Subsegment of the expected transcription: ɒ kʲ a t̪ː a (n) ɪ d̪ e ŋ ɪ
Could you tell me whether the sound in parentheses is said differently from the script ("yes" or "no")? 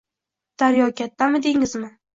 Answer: yes